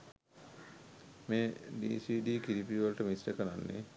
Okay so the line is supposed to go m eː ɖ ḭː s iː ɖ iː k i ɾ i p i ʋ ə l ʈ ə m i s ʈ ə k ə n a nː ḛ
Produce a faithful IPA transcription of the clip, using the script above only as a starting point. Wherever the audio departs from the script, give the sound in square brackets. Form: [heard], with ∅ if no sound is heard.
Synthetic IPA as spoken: m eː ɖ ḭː s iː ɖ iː k i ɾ i p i ʋ ə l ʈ ə m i s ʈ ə k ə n a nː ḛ

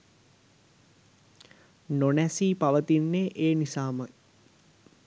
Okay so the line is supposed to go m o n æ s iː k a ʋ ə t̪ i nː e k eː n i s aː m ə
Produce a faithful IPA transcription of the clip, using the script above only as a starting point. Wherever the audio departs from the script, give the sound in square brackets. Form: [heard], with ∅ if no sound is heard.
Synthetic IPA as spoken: [n] o n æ s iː [p] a ʋ ə t̪ i nː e [ʔ] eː n i s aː m ə

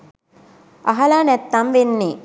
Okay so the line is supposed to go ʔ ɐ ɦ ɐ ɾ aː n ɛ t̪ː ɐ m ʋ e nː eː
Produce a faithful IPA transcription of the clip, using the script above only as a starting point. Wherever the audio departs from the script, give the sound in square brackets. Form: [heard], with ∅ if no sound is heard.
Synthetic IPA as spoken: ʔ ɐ ɦ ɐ [l] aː n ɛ t̪ː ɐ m ʋ e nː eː

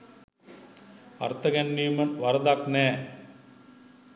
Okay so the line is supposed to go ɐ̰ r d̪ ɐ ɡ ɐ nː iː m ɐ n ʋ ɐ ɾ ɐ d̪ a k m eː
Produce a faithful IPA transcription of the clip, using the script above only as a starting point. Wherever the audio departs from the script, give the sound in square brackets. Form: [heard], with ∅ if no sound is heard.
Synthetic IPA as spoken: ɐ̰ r [t̪] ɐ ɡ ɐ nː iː m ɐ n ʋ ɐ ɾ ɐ d̪ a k [n] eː

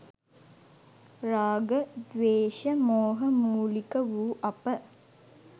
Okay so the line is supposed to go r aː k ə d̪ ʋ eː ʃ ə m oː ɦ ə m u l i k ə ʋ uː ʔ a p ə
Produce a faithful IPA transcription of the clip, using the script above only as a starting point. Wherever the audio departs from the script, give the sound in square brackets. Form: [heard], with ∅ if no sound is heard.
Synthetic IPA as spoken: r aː [ɡ] ə d̪ ʋ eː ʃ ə m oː ɦ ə m [uː] l i k ə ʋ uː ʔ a p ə

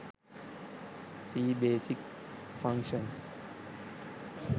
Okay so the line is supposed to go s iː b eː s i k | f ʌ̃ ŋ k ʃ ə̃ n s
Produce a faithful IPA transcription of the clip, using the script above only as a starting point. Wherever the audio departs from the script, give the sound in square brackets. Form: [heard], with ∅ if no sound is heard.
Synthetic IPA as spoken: s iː b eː s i k | f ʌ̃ ŋ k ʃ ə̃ n s

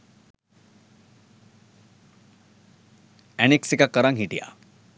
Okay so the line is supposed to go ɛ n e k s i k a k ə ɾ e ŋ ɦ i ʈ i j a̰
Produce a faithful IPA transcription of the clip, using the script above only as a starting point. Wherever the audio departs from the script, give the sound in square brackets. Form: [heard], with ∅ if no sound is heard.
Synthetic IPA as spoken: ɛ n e k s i k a k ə ɾ [a] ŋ ɦ i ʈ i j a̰

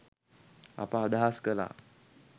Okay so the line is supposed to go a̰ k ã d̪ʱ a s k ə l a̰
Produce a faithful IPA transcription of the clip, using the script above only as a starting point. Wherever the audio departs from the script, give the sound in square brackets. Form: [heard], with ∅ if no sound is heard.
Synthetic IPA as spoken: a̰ [p] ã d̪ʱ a s k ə l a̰

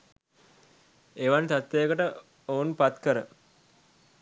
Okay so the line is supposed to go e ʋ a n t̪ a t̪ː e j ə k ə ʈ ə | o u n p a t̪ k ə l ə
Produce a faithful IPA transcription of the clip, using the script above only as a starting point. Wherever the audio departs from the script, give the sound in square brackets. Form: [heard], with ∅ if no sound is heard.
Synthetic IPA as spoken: e ʋ a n t̪ a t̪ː e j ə k ə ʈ ə | o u n p a t̪ k ə [ɾ] ə

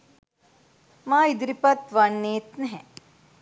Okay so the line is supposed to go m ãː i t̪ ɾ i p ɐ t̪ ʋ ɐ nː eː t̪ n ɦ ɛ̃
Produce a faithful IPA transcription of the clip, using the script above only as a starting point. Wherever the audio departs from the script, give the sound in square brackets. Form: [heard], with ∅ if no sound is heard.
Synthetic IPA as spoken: m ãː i [d̪] ɾ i p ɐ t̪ ʋ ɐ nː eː t̪ n ɦ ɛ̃

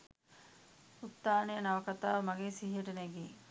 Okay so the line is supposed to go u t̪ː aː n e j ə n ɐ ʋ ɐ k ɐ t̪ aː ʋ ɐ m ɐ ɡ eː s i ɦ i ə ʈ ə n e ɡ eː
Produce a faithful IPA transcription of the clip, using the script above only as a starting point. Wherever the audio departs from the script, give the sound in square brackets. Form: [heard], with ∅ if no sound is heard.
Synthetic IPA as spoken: u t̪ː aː n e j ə n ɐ ʋ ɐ k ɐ t̪ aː ʋ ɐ m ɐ ɡ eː s i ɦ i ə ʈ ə n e ɡ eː

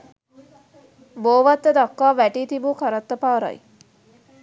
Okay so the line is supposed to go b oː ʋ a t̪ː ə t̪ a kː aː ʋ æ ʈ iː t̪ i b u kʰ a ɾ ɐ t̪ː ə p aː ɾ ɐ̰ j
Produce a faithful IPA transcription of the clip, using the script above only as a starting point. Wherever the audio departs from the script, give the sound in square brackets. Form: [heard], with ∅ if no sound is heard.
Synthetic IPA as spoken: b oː ʋ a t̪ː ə [d̪] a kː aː ʋ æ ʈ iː t̪ i b u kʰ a ɾ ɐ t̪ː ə p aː ɾ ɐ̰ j

